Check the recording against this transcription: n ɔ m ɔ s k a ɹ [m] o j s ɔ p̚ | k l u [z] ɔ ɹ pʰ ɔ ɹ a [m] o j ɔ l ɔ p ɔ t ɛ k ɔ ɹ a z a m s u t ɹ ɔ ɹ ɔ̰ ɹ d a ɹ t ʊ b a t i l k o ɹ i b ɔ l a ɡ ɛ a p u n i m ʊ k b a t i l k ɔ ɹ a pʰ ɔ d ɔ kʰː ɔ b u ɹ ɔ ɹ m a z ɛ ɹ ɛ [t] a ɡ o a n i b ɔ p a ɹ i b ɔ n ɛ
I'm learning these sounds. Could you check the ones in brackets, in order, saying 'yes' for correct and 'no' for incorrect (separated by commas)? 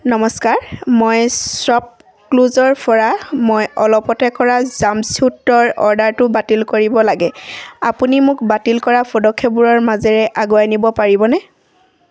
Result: yes, yes, yes, no